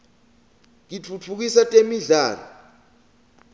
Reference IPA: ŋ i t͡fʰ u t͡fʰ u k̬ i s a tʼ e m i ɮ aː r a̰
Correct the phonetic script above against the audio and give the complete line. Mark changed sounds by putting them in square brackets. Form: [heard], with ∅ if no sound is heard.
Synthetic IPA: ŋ i t͡fʰ u t͡fʰ u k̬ i s a tʼ e m i ɮ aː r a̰